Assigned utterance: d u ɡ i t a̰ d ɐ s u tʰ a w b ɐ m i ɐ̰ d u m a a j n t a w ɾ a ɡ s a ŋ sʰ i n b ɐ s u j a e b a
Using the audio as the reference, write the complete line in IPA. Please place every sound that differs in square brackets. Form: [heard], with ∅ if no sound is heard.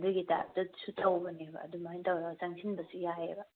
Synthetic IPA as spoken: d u ɡ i t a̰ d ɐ s u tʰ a w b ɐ [n] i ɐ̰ d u m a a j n t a w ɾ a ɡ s a ŋ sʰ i n b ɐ s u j a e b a

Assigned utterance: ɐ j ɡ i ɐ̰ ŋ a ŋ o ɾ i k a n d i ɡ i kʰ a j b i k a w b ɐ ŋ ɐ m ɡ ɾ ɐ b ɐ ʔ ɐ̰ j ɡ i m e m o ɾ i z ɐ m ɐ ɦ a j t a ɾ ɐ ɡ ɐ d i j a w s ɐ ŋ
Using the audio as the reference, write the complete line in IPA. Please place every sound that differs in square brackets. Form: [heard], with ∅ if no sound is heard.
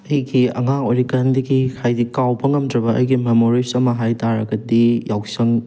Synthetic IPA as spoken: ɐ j ɡ i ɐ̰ ŋ a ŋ o ɾ i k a n d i ɡ i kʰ a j [d] i k a w b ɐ ŋ ɐ m [d] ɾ ɐ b ɐ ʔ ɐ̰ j ɡ i m e m o ɾ i [s] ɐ m ɐ ɦ a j t a ɾ ɐ ɡ ɐ d i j a w s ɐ ŋ

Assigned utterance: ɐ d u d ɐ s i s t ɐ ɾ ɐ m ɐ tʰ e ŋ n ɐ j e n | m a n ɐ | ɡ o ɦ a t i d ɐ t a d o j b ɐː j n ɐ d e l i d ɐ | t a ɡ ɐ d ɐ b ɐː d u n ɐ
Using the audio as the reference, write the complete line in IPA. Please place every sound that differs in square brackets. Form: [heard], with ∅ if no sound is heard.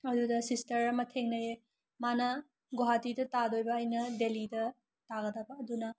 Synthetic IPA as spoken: ɐ d u d ɐ s i s t ɐ ɾ ɐ m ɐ tʰ e ŋ n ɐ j e [∅] | m a n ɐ | ɡ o ɦ a t i d ɐ t a d o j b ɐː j n ɐ d e l i d ɐ | t a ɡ ɐ d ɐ b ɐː d u n ɐ

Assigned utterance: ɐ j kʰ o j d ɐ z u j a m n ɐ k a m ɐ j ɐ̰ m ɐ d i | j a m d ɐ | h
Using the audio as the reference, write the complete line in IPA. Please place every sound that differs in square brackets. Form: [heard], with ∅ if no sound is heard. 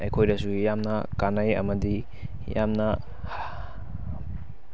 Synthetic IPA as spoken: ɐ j kʰ o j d ɐ [s] u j a m n ɐ k a [n] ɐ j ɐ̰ m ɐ d i | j a m [n] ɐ | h

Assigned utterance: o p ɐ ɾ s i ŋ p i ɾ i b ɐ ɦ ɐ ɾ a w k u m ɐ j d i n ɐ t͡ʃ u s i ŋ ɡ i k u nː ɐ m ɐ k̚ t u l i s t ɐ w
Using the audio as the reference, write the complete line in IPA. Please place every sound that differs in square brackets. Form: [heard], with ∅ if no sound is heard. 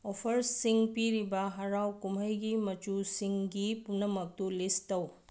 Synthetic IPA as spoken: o [pʰ] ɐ ɾ s i ŋ p i ɾ i b ɐ ɦ ɐ ɾ a w k u m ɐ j [ɡ] i [m] ɐ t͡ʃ u s i ŋ ɡ i [p] u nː ɐ m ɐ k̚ t u l i s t ɐ w

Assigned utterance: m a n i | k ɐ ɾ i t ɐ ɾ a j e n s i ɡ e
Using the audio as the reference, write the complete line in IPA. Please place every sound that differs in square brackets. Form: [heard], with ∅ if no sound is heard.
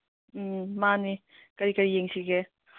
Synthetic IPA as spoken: m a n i | k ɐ ɾ i [k] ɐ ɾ [i] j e [ŋ] s i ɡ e

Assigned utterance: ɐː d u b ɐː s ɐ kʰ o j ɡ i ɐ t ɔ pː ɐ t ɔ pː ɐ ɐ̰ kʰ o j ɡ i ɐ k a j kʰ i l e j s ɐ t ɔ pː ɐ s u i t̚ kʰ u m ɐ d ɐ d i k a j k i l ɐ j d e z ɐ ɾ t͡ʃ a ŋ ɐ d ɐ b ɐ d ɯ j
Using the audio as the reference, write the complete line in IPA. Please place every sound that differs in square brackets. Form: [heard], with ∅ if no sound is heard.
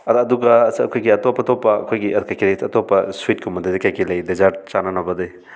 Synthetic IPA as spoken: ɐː d u [ɡ] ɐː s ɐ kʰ o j ɡ i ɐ t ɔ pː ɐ t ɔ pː ɐ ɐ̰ kʰ o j ɡ i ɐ k a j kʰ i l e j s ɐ t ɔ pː ɐ s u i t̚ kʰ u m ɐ d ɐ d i k a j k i l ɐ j d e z [a] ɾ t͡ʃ a [n] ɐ [n] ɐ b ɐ d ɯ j

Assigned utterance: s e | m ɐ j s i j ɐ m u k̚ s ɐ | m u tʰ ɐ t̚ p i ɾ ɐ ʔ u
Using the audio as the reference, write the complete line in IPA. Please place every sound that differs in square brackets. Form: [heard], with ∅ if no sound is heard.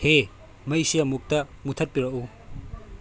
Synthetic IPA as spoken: [h] e | m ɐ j s i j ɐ m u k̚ [t] ɐ | m u tʰ ɐ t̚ p i ɾ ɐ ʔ u

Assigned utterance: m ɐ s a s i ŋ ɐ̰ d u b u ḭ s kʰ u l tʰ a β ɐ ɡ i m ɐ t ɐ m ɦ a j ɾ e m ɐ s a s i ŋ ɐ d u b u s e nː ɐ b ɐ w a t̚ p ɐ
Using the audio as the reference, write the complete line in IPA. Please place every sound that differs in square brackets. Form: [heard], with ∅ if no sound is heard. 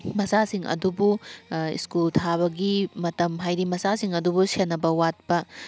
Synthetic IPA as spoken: m ɐ s a s i ŋ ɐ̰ d u b u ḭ s [k] u l tʰ a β ɐ ɡ i m ɐ t ɐ m ɦ a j ɾ [i] m ɐ s a s i ŋ ɐ d u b u s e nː ɐ b ɐ w a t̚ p ɐ

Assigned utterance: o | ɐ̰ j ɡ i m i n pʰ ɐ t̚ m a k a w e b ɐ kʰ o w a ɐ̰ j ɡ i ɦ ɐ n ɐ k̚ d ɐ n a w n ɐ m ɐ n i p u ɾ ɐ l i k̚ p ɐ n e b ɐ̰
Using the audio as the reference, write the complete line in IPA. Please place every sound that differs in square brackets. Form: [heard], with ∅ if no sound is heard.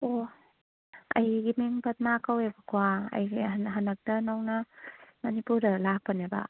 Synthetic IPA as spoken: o | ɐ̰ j ɡ i m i [ŋ] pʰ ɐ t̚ m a k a w e b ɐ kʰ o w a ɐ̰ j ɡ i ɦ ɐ n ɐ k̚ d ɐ n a w n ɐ m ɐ n i p u ɾ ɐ l [a] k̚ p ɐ n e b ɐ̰

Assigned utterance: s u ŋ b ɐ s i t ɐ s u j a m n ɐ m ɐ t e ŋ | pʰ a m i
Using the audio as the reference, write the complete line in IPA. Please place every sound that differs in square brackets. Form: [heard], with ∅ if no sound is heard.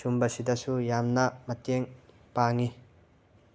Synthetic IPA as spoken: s u [m] b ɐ s i [d] ɐ s u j a m n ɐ m ɐ t e ŋ | [p] a [ŋ] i

